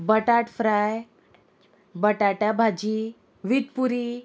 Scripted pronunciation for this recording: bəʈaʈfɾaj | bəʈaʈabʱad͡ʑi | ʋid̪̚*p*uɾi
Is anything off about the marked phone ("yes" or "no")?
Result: no